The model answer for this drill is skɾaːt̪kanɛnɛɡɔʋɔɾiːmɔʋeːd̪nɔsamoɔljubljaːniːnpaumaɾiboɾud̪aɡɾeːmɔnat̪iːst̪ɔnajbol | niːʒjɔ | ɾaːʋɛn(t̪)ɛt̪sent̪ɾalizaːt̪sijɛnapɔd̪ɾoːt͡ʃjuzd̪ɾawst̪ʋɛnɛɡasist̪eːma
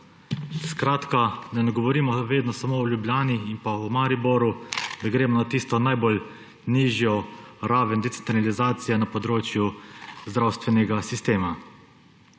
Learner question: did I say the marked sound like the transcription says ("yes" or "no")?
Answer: no